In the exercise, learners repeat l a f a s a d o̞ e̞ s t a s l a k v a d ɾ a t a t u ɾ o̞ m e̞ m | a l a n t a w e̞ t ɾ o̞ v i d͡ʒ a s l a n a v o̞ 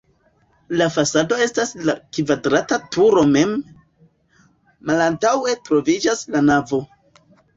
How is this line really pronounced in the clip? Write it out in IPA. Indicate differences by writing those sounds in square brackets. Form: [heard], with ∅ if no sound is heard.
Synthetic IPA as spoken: l a f a s a d o̞ e̞ s t a s l a k v a d ɾ a t a t u ɾ o̞ m e̞ m | a l a n t a w e̞ t ɾ o̞ v i d͡ʒ a s l a n a v o̞